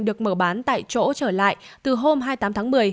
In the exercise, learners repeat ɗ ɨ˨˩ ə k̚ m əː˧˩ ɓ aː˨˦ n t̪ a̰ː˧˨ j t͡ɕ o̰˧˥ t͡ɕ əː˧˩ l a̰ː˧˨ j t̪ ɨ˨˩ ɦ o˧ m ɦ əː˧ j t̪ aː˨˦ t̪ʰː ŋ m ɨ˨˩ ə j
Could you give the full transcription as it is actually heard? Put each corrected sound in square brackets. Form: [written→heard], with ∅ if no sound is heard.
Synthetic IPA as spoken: ɗ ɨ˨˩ ə k̚ m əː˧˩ ɓ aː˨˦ n t̪ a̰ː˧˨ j t͡ɕ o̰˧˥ t͡ɕ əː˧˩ l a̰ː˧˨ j t̪ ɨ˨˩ ɦ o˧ m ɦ [əː˧→aː˧] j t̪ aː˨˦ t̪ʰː ŋ m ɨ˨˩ ə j